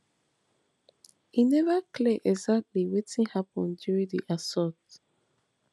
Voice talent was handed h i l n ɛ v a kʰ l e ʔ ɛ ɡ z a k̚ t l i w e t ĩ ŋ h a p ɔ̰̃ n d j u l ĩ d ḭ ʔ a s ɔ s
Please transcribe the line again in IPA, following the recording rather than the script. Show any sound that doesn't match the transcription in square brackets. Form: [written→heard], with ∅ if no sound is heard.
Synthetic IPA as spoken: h i [l→∅] n ɛ v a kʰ l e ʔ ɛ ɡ z a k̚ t l i w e t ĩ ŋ h a p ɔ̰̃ n d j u [l→ɹ] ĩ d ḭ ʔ a s ɔ [s→t]